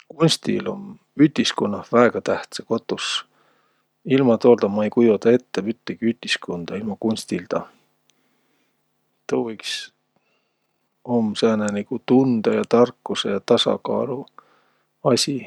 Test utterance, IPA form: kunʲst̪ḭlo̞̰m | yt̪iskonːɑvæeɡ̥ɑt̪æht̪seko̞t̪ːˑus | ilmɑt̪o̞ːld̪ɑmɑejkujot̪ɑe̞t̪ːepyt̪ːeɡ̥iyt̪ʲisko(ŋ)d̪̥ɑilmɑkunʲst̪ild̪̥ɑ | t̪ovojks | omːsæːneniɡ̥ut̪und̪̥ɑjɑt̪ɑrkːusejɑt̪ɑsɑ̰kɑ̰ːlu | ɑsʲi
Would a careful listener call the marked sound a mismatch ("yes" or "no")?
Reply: yes